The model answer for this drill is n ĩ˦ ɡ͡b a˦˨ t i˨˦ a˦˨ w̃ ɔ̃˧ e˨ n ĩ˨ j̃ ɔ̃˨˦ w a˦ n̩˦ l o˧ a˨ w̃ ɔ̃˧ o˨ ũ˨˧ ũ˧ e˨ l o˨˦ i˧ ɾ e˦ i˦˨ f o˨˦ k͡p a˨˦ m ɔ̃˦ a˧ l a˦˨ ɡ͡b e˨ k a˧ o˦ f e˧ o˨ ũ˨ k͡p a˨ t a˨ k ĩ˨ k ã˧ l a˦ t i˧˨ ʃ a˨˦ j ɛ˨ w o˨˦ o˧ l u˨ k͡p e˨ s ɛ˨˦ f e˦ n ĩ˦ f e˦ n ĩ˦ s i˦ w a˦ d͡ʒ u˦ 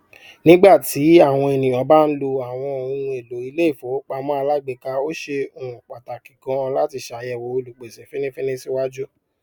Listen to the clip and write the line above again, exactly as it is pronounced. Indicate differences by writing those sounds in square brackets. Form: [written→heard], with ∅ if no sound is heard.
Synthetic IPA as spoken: n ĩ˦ ɡ͡b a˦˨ t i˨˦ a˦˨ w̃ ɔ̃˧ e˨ n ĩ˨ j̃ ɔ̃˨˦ [w→b] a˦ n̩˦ l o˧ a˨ w̃ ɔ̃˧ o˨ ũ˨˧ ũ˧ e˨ l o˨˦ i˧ [ɾ→l] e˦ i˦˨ f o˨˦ k͡p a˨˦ m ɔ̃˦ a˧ l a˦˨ ɡ͡b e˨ k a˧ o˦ [f→ʃ] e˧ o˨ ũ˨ k͡p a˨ t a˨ k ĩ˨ k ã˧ l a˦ t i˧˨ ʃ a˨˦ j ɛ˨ w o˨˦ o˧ l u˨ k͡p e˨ s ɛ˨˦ f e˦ n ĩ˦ f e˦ n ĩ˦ s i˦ w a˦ d͡ʒ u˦